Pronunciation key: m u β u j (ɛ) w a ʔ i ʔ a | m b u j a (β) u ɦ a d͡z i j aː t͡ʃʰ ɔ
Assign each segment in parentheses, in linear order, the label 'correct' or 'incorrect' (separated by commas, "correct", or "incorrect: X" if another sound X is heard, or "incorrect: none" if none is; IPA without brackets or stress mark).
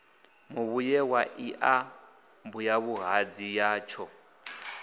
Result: correct, correct